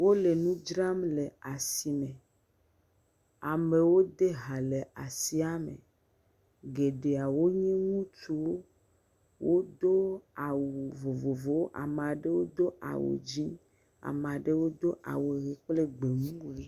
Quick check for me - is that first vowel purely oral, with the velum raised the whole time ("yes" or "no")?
yes